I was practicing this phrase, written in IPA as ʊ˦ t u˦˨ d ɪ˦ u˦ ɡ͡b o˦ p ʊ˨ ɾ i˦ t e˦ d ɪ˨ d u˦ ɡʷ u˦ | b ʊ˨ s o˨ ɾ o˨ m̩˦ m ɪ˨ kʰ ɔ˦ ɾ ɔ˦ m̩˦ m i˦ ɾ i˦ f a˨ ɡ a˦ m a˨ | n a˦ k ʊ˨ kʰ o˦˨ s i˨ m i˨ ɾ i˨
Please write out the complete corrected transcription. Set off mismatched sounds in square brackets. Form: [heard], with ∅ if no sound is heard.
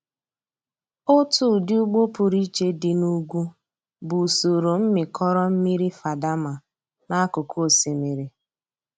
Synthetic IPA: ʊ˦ t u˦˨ d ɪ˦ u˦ ɡ͡b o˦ p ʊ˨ ɾ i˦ [t͡ʃ] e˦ d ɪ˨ [n] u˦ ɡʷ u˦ | b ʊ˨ s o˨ ɾ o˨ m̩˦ m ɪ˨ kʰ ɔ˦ ɾ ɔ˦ m̩˦ m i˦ ɾ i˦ f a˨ [d] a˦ m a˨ | n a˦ k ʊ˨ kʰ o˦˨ s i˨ m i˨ ɾ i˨